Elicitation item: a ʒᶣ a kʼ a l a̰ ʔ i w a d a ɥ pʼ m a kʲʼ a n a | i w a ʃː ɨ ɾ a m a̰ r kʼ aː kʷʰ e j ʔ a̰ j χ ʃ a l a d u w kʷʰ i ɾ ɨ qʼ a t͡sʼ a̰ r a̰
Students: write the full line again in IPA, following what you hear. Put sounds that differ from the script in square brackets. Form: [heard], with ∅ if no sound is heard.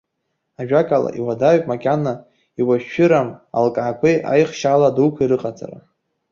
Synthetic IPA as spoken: a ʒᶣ a kʼ a l a̰ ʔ i w a d a ɥ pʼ m a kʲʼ a n a | i w a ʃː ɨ ɾ a m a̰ [l] kʼ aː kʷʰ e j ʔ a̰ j χ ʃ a l a d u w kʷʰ i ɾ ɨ qʼ a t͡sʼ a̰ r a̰